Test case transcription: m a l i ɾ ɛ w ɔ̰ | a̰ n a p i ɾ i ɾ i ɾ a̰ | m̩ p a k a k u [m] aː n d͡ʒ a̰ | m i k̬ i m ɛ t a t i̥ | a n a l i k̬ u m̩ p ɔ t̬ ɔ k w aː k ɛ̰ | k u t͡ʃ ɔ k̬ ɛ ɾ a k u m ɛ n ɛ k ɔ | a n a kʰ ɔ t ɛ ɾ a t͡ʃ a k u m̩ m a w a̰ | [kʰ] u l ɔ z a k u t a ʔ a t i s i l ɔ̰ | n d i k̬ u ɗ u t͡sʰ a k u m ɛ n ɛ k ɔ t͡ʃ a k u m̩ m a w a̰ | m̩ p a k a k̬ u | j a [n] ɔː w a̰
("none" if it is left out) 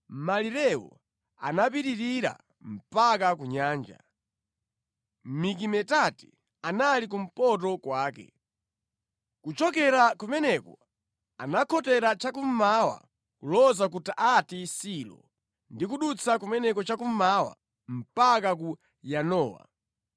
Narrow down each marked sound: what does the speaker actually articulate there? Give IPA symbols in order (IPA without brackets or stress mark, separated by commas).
ɲ, k, n